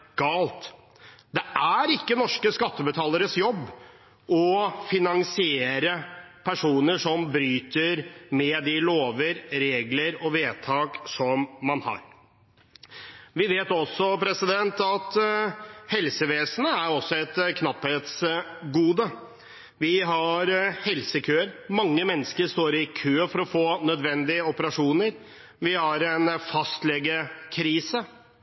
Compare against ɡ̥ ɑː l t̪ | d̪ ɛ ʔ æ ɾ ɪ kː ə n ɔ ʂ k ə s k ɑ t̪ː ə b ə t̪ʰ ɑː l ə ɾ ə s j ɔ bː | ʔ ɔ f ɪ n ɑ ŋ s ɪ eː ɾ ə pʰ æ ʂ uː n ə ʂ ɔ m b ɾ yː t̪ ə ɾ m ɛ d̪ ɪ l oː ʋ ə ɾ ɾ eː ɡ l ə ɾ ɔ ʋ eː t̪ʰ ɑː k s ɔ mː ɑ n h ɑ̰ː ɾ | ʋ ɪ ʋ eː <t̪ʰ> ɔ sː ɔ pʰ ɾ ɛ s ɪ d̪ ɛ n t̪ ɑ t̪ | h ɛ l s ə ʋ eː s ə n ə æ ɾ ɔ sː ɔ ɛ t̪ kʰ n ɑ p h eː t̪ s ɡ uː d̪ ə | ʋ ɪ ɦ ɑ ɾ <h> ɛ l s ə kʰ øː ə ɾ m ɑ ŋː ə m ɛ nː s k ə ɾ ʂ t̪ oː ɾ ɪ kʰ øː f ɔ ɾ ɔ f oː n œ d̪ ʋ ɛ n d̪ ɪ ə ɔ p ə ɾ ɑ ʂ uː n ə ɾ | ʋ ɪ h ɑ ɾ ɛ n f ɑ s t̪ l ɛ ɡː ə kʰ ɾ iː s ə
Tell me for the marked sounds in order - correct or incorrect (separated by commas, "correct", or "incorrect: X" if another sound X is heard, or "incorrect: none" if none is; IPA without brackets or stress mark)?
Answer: incorrect: t̪, correct